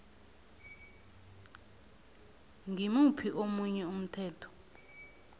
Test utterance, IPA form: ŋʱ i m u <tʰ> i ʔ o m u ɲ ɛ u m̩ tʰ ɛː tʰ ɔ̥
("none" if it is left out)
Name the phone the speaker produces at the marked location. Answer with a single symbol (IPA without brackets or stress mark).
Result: pʰ